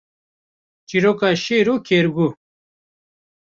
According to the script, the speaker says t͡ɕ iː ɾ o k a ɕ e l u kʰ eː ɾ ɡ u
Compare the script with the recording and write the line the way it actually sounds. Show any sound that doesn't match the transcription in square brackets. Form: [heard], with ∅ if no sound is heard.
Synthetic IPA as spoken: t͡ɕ [i] ɾ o k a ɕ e [ɾ] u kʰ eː ɾ ɡ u

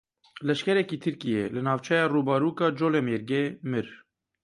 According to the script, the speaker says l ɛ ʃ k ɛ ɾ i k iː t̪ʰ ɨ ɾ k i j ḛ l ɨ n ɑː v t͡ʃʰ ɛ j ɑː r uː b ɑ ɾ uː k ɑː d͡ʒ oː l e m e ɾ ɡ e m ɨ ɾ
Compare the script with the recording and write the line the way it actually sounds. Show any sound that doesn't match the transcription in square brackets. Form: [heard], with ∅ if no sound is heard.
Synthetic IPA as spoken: l ɛ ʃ k ɛ ɾ [ɛ] k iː t̪ʰ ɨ ɾ k i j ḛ l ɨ n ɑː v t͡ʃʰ ɛ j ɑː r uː b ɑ ɾ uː k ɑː d͡ʒ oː l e m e ɾ ɡ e m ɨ ɾ

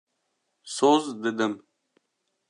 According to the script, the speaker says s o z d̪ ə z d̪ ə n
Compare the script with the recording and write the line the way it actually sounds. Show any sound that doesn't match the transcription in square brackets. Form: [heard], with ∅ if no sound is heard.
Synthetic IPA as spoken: s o z d̪ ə [∅] d̪ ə [m]

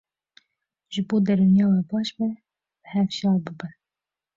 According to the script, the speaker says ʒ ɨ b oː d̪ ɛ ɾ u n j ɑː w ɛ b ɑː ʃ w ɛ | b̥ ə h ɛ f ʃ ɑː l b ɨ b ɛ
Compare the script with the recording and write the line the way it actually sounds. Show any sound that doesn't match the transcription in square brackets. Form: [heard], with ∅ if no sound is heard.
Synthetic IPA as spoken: ʒ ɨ b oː d̪ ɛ ɾ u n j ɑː w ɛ b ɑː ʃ [b] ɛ | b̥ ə h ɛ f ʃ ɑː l b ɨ b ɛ

